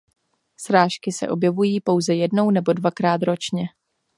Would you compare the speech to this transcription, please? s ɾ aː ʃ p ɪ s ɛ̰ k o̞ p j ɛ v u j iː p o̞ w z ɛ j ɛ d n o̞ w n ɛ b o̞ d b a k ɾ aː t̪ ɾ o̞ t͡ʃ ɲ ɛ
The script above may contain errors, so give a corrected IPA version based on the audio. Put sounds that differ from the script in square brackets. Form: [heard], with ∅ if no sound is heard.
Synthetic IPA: s ɾ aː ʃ [k] ɪ s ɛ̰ [ʔ] o̞ [b] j ɛ v u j iː p o̞ w z ɛ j ɛ d n o̞ w n ɛ b o̞ d [v] a k ɾ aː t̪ ɾ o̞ t͡ʃ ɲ ɛ